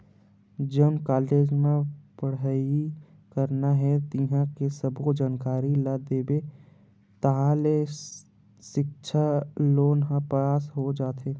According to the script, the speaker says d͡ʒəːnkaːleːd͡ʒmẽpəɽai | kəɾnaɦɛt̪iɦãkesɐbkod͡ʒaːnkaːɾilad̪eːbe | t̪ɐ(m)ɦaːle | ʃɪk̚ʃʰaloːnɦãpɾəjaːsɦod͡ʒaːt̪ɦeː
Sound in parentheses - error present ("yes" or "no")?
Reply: yes